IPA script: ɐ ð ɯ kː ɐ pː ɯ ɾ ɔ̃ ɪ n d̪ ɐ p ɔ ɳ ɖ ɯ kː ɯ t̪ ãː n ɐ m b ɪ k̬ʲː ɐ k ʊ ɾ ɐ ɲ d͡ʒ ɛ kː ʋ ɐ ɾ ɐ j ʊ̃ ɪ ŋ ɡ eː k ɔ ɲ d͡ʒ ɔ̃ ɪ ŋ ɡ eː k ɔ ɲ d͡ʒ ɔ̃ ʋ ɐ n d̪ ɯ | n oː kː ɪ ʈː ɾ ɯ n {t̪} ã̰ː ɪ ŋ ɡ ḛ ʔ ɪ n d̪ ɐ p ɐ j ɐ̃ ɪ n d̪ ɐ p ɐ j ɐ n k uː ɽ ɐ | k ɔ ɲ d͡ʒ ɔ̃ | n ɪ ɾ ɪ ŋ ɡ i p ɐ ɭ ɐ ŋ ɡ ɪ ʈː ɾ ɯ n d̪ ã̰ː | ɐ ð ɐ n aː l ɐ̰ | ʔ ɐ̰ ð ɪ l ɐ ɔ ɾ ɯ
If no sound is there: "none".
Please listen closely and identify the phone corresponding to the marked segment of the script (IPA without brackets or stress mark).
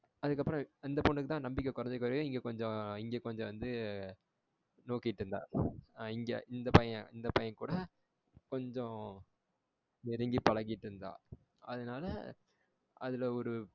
d̪